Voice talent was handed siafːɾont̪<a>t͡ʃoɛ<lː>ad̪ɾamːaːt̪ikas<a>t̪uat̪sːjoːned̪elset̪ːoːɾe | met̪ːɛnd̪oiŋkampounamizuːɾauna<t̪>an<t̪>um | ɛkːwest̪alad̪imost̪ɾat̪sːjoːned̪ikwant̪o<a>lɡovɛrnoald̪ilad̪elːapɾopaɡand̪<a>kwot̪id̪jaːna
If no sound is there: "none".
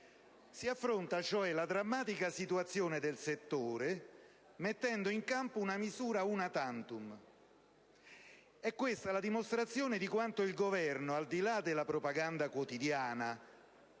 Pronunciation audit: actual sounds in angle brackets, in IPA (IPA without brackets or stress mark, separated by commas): a, l, i, t̪, t̪, i, a